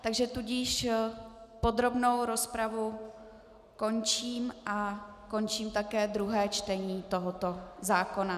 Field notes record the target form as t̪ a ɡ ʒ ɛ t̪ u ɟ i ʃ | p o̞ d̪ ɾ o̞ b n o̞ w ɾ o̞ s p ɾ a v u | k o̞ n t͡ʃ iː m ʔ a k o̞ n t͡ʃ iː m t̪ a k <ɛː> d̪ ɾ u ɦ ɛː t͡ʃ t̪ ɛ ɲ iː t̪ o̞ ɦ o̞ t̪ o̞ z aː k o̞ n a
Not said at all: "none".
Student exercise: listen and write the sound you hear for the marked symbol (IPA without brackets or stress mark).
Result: ɛː